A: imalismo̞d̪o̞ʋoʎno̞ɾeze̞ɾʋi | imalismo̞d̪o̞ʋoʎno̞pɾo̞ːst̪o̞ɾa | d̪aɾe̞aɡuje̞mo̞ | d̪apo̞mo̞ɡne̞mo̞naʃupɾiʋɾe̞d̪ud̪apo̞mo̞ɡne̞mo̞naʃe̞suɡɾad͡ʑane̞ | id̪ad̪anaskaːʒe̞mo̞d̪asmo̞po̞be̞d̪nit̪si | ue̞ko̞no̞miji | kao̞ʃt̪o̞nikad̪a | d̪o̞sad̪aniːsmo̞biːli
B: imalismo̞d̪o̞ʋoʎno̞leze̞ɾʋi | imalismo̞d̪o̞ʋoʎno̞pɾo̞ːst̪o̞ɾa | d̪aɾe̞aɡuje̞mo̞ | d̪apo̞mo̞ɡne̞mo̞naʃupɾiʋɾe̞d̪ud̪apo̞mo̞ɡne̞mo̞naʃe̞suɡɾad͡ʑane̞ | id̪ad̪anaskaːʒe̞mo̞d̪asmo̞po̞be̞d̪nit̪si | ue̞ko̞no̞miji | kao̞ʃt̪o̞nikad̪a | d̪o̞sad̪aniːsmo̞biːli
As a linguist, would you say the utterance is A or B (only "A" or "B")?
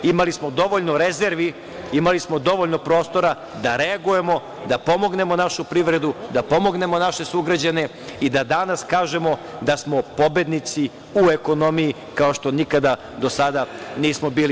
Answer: A